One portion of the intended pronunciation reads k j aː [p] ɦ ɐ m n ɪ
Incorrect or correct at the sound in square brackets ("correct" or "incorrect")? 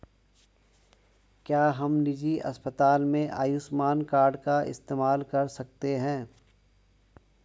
incorrect